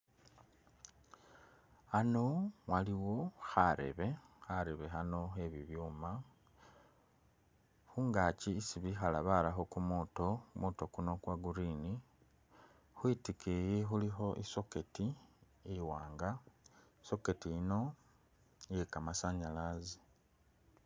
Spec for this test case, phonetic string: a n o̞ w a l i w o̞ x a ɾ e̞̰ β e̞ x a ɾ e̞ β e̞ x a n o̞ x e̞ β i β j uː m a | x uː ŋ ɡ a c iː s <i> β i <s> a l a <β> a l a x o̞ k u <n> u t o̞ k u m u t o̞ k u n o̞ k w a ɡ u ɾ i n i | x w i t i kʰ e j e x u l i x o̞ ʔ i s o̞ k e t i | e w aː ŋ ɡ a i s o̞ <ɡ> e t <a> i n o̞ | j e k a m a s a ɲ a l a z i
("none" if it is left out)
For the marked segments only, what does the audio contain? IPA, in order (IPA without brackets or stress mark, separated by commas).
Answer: i, x, β, m, k, i